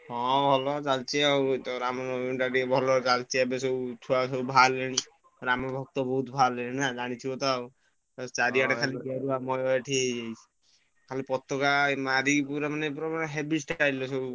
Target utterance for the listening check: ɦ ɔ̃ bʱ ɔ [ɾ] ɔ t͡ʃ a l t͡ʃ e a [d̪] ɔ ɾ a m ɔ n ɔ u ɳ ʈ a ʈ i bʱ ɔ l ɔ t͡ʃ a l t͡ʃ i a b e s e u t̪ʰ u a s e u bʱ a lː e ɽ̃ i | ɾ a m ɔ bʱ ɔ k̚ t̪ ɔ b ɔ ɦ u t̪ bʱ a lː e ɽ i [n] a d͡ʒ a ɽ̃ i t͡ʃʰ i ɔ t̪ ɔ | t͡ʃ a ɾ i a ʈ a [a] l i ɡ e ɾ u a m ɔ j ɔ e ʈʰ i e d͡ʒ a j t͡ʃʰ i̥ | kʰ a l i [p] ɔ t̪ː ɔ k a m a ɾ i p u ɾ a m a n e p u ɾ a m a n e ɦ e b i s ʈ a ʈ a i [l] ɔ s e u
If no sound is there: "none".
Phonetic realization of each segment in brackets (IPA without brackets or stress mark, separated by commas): l, t̪, n, a, p, l